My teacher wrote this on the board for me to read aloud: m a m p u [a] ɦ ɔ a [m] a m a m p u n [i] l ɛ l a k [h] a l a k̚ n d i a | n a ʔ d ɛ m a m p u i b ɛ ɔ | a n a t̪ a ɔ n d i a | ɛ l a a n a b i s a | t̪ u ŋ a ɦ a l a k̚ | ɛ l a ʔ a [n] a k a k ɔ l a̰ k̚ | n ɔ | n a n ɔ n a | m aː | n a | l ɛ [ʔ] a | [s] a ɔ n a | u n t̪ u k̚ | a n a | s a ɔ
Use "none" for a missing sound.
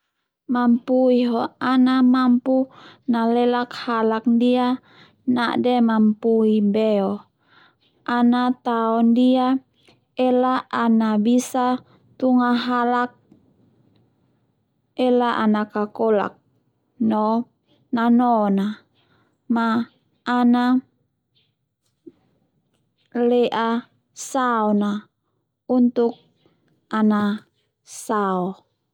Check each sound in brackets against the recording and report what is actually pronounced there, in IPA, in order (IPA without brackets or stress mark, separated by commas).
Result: i, n, a, h, n, ʔ, s